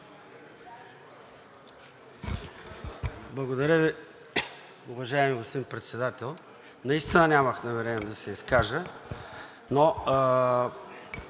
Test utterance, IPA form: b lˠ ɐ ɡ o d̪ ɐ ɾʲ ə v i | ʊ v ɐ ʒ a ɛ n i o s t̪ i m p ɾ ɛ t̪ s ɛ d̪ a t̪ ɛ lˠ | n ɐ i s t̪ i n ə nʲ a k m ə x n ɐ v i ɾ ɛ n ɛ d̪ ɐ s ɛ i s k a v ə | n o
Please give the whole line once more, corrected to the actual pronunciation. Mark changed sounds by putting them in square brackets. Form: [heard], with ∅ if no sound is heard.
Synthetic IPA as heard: b lˠ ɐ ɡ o d̪ ɐ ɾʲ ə v i | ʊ v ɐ ʒ a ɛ [m] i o s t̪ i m p ɾ ɛ t̪ s ɛ d̪ a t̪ ɛ lˠ | n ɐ i s t̪ i n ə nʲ a [∅] m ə x n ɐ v [ɛ] ɾ ɛ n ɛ d̪ ɐ s ɛ i s k a [ʒ] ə | n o